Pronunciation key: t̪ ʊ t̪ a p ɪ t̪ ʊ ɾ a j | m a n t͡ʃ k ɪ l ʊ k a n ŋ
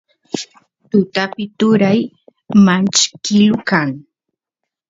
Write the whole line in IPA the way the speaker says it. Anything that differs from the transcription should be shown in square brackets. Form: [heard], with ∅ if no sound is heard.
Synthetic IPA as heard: t̪ ʊ t̪ a p ɪ t̪ ʊ ɾ a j | m a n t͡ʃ k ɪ l ʊ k a [∅] ŋ

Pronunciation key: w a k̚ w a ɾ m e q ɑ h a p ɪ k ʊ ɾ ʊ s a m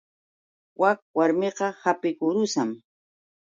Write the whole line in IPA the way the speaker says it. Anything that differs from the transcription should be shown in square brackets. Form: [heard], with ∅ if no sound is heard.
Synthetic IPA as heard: w a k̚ w a ɾ m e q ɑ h a p ɪ k ʊ ɾ ʊ s a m

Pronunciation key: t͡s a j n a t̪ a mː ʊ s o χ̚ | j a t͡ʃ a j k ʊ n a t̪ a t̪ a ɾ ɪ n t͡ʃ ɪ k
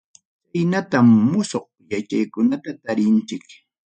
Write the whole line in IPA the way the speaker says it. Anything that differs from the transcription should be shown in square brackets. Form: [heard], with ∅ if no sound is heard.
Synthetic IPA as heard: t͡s a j n a t̪ a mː ʊ s o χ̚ | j a t͡ʃ a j k ʊ n a t̪ a t̪ a ɾ ɪ n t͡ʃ ɪ k

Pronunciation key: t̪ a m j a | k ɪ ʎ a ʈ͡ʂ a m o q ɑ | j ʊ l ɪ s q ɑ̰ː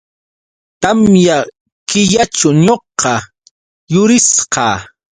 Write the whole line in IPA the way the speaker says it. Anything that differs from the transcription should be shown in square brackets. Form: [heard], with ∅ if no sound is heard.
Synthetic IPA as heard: t̪ a m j a | k ɪ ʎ a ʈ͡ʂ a [ɲ] o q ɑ | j ʊ [ɾ] ɪ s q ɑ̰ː

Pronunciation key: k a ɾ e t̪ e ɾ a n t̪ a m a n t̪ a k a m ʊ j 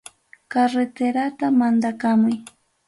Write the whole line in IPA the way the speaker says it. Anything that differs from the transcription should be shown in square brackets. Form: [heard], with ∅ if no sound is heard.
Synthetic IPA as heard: k a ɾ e t̪ e ɾ a [∅] t̪ a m a n [d̪] a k a m ʊ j

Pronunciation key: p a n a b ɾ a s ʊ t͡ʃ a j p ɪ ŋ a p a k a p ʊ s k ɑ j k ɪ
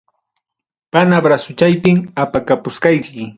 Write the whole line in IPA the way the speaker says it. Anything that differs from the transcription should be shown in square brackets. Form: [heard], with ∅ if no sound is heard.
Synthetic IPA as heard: p a n a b ɾ a s ʊ t͡ʃ a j p ɪ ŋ a p a k a p ʊ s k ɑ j k ɪ

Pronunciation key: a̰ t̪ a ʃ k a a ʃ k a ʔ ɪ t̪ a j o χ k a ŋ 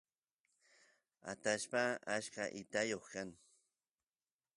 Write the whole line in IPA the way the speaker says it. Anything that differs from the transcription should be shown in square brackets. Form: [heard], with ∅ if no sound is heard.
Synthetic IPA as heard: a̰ t̪ a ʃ [p] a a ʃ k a ʔ ɪ t̪ a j o χ k a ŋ

